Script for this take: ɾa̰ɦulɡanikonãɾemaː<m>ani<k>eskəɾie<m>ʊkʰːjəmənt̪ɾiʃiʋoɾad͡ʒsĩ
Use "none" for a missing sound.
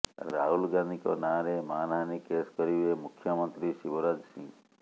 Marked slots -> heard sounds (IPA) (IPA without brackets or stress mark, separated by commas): n, k, m